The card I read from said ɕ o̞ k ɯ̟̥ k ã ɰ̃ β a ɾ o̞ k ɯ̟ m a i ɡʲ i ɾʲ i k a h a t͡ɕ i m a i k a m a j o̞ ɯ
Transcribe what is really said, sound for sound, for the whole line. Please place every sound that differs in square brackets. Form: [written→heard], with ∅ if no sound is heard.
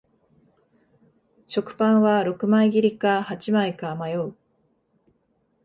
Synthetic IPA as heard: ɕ o̞ k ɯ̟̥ [k→p] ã ɰ̃ β a ɾ o̞ k ɯ̟ m a i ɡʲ i ɾʲ i k a h a t͡ɕ i m a i k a m a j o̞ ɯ